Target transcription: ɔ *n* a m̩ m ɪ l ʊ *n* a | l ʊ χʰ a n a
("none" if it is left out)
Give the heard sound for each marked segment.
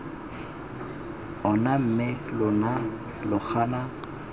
n, n

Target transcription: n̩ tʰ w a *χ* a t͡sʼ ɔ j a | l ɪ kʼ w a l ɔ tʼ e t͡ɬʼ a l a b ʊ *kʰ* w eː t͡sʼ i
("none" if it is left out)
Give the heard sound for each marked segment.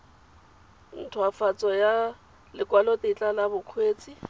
f, kʰ

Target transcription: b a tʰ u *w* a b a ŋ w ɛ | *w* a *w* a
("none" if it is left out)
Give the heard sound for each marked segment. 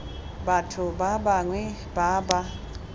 b, b, b

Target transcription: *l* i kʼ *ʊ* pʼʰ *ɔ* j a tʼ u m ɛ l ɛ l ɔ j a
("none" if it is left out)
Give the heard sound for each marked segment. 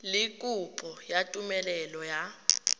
l, u, ɔ

